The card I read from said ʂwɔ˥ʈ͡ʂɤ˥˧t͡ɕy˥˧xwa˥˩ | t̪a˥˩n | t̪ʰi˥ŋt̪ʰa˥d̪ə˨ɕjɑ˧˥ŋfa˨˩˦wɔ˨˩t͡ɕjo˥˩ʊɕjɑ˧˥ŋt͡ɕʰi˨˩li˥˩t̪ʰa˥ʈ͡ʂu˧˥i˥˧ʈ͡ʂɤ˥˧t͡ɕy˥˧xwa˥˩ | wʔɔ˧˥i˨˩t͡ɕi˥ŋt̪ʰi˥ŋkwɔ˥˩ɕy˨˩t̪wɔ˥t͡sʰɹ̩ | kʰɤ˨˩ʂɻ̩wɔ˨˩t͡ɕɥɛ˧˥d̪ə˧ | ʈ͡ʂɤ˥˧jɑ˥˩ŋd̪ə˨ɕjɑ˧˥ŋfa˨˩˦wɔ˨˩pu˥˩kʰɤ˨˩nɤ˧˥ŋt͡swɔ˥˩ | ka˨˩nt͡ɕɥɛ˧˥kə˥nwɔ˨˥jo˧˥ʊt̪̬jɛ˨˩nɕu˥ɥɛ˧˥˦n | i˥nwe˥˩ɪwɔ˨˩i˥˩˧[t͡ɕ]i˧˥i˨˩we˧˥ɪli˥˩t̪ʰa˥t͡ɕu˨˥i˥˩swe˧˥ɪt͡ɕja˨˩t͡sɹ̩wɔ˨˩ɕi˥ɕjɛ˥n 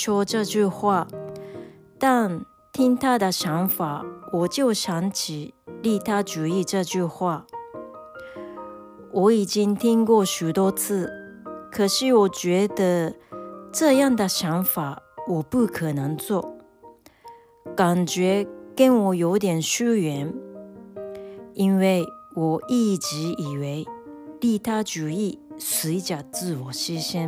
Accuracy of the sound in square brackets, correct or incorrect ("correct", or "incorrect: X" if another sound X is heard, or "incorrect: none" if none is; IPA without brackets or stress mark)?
correct